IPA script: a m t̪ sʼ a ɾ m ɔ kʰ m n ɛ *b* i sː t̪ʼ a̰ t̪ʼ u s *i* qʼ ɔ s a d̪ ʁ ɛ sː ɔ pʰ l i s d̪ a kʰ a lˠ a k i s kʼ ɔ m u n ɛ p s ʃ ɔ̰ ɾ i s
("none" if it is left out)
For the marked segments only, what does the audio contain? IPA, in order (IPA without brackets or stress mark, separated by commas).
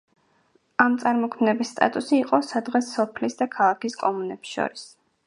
b, iː